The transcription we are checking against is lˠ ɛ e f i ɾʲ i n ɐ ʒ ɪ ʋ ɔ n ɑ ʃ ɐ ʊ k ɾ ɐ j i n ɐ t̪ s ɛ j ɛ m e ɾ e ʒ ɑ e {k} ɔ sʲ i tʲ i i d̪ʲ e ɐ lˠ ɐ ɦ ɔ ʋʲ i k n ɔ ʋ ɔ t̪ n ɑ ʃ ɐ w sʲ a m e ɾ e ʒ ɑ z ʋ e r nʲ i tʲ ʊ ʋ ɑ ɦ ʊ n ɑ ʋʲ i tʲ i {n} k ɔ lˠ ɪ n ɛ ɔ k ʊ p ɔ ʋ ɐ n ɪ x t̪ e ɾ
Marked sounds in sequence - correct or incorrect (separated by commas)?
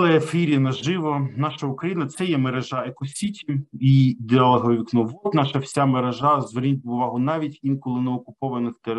correct, correct